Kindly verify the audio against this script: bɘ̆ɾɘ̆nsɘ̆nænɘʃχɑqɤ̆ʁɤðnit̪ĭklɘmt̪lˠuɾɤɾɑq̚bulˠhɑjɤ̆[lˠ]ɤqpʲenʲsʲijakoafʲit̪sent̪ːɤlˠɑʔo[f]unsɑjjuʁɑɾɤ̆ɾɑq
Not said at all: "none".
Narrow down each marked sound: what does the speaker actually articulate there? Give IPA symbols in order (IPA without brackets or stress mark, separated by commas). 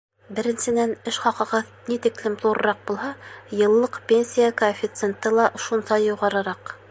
lˠː, ʃ